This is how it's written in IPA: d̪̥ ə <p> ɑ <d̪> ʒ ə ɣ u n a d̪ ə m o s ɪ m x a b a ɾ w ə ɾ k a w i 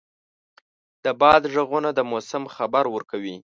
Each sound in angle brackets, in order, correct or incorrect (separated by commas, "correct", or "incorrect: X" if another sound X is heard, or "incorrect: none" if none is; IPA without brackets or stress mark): incorrect: b, correct